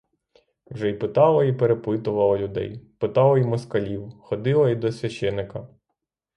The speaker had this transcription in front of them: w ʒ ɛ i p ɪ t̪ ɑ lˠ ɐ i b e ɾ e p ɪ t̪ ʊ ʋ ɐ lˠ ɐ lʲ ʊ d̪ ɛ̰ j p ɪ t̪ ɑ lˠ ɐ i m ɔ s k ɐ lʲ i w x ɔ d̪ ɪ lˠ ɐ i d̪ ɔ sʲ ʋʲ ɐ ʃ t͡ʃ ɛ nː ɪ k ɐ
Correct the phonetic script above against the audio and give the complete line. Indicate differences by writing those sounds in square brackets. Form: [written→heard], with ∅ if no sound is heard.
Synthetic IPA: w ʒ ɛ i p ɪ t̪ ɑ lˠ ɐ i [b→p] e ɾ e p ɪ t̪ ʊ ʋ ɐ lˠ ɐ lʲ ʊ d̪ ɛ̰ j p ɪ t̪ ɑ lˠ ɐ i m ɔ s k ɐ lʲ i w x ɔ d̪ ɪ lˠ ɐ i d̪ ɔ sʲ ʋʲ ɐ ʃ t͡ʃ ɛ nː ɪ k ɐ